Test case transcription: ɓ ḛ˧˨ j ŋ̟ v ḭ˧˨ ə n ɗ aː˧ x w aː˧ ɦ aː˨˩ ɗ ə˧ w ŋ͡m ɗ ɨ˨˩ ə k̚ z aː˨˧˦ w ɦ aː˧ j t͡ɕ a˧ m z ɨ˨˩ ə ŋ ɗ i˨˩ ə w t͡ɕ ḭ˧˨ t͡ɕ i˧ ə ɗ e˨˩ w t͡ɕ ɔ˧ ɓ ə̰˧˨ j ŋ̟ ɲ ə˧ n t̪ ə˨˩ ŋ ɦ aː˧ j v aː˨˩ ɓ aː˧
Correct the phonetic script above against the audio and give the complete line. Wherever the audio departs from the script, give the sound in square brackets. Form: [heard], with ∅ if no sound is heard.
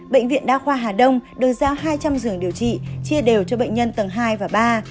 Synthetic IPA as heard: ɓ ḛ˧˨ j ŋ̟ v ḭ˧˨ ə n ɗ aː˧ x w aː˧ ɦ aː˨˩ ɗ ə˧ w ŋ͡m ɗ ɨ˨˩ ə k̚ z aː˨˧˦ w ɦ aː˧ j t͡ɕ a˧ m z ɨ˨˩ ə ŋ ɗ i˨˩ ə w t͡ɕ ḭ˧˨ t͡ɕ i˧ ə ɗ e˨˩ w t͡ɕ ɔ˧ ɓ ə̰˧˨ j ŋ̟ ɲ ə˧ n t̪ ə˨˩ ŋ ɦ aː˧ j v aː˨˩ ɓ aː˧

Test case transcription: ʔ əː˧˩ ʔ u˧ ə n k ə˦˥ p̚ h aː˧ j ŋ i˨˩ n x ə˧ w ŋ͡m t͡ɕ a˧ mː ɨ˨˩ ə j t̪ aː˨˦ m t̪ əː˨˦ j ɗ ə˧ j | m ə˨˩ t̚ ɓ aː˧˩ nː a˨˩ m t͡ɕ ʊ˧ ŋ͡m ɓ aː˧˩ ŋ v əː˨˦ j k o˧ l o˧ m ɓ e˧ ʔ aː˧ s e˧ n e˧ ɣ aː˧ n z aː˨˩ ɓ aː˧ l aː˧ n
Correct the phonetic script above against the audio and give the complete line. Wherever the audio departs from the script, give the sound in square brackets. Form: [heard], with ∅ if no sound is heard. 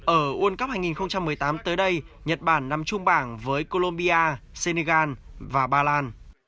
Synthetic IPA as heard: ʔ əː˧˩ ʔ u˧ ə n k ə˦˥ p̚ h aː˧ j ŋ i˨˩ n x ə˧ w ŋ͡m t͡ɕ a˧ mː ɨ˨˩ ə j t̪ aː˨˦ m t̪ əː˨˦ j ɗ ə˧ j | [ɲ] ə˨˩ t̚ ɓ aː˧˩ nː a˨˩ m t͡ɕ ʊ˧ ŋ͡m ɓ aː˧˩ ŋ v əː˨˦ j k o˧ l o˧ m ɓ [i˧] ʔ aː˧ s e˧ n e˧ ɣ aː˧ n [v] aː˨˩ ɓ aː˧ l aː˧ n

